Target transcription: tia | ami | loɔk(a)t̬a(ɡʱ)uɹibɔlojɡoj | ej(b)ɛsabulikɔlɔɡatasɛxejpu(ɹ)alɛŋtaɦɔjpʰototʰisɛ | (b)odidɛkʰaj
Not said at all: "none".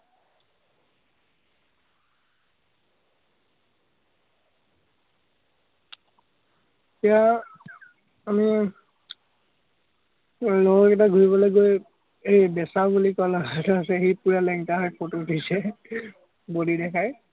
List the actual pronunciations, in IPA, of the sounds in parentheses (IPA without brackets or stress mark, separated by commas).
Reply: ɛ, ɡʱ, b, ɹ, b